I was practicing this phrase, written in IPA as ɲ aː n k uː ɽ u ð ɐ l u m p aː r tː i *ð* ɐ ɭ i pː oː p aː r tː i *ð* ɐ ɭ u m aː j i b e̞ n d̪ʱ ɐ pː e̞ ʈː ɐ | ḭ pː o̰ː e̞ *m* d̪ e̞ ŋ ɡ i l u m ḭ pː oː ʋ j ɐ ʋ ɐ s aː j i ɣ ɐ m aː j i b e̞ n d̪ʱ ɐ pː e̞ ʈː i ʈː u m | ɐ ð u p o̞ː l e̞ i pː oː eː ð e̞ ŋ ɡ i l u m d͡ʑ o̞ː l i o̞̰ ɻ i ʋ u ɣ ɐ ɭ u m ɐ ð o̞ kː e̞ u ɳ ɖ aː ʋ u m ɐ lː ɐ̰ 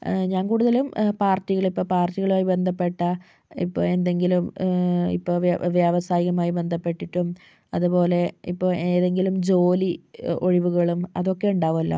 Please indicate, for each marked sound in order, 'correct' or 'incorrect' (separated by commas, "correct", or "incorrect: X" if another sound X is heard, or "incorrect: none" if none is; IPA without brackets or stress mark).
incorrect: ɣ, incorrect: ɣ, incorrect: n